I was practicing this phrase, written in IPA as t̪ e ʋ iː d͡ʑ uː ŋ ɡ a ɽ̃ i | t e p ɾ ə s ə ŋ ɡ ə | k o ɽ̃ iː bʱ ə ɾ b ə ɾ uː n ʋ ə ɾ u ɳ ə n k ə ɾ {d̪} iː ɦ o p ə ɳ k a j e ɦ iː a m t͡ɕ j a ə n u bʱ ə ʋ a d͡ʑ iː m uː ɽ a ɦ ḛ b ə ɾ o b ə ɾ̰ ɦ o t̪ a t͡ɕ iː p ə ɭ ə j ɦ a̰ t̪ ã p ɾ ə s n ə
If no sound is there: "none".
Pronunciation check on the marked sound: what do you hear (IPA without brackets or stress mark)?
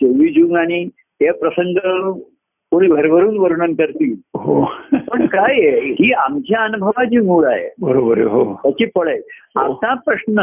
t̪